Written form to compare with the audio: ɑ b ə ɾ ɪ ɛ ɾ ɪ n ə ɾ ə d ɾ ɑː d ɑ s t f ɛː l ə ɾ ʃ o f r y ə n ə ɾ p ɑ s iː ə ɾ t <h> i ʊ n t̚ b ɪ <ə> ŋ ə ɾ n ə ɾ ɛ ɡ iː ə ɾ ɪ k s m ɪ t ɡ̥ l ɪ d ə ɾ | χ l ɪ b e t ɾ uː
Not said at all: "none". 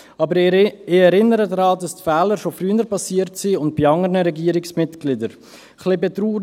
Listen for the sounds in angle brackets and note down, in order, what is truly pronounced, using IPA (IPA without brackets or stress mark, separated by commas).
s, ɑ